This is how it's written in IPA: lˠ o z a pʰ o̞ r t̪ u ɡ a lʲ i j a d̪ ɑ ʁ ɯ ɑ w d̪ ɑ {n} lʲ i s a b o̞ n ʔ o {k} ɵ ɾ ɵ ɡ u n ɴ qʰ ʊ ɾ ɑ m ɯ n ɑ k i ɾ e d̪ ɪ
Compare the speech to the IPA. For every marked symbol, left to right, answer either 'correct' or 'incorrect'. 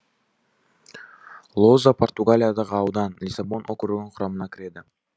correct, correct

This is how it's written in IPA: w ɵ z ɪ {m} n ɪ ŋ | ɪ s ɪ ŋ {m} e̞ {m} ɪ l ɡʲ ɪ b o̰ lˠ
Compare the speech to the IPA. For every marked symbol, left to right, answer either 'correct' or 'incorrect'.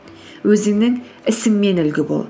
incorrect, correct, incorrect

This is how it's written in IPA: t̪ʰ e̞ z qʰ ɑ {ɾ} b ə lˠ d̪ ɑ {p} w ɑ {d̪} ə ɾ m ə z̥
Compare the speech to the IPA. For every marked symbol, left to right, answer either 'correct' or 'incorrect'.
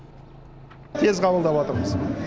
incorrect, correct, incorrect

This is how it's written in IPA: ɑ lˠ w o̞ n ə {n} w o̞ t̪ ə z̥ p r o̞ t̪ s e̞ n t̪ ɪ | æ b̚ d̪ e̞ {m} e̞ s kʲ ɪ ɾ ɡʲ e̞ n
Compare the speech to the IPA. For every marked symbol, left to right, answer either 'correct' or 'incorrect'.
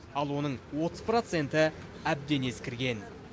incorrect, incorrect

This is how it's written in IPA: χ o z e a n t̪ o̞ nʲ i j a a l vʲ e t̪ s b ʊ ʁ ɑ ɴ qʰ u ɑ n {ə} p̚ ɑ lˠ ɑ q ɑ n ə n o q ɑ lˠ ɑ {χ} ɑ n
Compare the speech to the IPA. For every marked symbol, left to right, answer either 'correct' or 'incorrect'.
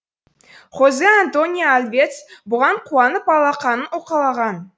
correct, incorrect

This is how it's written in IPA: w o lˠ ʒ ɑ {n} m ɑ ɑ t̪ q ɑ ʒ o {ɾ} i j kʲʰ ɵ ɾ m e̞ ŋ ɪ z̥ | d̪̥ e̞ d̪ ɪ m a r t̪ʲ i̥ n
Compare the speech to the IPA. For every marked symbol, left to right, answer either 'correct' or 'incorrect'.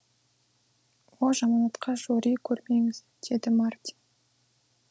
incorrect, correct

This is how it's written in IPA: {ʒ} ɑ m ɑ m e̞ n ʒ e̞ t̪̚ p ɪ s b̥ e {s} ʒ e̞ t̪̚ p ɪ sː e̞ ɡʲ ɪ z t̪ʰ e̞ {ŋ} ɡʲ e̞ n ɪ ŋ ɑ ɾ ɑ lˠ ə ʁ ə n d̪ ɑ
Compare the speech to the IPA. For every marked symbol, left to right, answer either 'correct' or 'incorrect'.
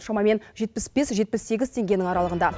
incorrect, correct, correct

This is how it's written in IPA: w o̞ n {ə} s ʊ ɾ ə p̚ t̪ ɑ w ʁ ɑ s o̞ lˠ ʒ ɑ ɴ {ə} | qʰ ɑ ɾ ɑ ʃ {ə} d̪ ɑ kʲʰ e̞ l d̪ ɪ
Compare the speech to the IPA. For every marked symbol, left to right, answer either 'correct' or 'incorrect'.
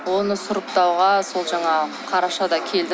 correct, incorrect, incorrect

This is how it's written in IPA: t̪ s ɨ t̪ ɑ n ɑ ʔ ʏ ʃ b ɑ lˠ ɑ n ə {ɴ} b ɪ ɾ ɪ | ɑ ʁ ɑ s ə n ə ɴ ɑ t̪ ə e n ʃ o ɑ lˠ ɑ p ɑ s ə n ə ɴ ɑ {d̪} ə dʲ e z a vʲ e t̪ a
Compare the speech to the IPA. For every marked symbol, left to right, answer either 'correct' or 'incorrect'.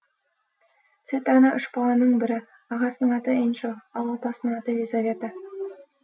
correct, incorrect

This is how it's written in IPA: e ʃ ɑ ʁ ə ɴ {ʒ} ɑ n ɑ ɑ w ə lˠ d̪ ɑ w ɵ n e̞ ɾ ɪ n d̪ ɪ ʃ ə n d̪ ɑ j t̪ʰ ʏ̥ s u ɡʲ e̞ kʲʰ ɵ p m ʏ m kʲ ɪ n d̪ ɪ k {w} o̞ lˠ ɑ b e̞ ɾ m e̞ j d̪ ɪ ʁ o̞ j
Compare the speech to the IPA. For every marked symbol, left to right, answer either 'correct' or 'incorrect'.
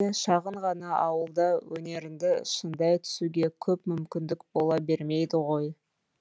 incorrect, incorrect

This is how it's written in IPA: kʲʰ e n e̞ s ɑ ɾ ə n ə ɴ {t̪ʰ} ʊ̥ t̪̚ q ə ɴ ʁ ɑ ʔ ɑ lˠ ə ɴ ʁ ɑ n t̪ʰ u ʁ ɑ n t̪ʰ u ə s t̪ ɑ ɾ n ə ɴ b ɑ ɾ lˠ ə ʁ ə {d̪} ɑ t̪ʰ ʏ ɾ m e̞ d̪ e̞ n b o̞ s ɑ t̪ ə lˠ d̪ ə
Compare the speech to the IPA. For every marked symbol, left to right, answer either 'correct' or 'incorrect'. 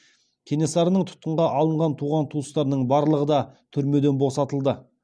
correct, correct

